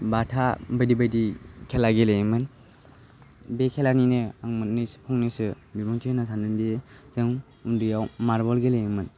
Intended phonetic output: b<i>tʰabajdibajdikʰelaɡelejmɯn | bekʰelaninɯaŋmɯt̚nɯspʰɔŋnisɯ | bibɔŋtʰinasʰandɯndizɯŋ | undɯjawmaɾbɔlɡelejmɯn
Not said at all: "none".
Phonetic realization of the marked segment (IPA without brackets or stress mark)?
a